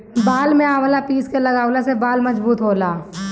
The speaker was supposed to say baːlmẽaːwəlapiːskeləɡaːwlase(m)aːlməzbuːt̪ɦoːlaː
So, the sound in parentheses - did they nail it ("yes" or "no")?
no